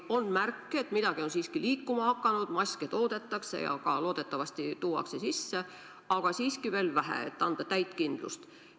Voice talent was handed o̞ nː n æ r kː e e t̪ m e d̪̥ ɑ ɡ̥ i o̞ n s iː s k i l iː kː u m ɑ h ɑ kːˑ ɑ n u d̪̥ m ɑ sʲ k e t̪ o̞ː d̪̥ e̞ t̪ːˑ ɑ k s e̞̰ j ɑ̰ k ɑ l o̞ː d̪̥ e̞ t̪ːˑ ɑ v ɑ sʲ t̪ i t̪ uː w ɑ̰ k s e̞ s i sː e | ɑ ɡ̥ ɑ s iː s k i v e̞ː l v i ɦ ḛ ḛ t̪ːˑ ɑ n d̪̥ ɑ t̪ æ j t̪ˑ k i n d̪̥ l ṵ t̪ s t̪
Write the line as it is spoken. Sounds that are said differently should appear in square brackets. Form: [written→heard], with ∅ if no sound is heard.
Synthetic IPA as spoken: o̞ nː [n→m] æ r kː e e t̪ m [e→i] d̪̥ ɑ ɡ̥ i o̞ n s iː s k i l iː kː u m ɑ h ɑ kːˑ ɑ n u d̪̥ m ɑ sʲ k e t̪ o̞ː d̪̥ e̞ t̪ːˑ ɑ k s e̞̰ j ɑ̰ k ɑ l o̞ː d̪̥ e̞ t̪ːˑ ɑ v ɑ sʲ t̪ i t̪ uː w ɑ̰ k s e̞ s i sː e | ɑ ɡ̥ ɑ s iː s k i v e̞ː l v [i→æ] ɦ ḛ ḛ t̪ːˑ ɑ n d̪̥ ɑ t̪ æ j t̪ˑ k i n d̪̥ l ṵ [t̪→∅] s t̪